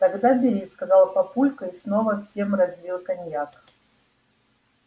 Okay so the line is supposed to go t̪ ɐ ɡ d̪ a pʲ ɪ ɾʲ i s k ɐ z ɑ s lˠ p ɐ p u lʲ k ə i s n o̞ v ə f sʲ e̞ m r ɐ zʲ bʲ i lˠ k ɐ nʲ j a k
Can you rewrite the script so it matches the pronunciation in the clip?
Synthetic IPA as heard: t̪ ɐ ɡ d̪ a bʲ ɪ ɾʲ i s k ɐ z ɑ lˠ p ɐ p u lʲ k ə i s n o̞ v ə f sʲ e̞ m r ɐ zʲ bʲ i lˠ k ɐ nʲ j a k